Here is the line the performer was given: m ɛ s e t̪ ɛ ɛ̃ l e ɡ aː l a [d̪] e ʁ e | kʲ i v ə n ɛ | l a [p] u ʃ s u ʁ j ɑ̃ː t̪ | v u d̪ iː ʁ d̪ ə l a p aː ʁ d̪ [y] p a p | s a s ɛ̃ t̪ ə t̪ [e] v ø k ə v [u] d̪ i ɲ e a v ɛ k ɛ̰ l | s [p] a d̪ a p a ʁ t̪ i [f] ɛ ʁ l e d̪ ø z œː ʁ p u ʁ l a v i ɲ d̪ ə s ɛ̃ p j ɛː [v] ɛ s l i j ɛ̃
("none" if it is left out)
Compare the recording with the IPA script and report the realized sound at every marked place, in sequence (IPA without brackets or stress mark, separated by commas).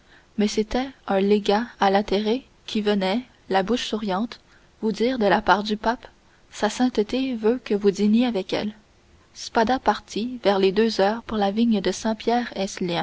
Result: t̪, b, y, e, u, p, v, ʁ